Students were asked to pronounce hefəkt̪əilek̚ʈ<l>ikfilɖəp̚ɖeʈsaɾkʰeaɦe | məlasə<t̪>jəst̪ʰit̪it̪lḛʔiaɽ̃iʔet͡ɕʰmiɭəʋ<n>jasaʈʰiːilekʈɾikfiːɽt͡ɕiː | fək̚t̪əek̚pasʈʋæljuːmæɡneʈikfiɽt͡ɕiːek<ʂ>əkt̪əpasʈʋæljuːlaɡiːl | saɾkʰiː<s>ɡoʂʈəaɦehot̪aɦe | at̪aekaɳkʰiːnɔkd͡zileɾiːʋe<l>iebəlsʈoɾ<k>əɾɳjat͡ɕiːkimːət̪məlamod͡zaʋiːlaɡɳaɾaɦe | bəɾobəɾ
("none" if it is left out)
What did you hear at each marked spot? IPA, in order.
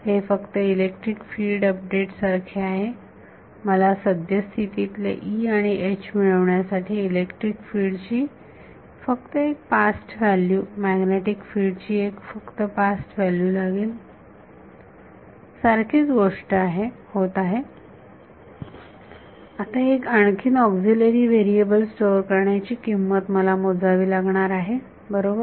ɾ, d̪, ɳ, f, t͡s, ɾ, k

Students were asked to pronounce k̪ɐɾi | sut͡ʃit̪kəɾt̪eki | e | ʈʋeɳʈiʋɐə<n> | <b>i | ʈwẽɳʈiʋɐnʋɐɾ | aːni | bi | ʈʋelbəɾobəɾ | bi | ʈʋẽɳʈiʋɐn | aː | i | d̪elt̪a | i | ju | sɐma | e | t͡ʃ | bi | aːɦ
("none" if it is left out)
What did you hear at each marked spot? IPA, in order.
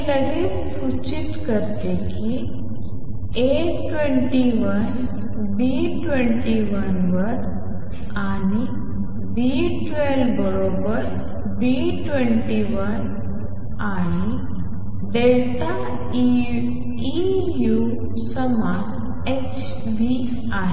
n, b

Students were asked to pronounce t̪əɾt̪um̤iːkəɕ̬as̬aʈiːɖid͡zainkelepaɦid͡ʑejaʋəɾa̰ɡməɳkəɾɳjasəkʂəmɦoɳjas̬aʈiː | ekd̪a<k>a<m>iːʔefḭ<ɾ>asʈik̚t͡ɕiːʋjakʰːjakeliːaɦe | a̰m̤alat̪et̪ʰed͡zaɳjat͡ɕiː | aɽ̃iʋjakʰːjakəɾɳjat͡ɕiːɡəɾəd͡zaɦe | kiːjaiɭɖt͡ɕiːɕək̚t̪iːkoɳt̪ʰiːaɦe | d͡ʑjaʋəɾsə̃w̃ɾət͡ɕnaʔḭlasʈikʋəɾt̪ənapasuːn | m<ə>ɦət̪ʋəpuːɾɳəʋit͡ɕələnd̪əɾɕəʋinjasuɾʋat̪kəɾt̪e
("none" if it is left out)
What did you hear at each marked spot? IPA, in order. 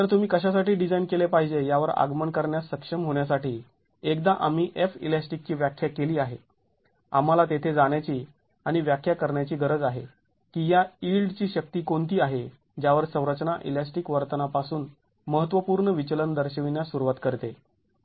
ʔ, m, l, ə

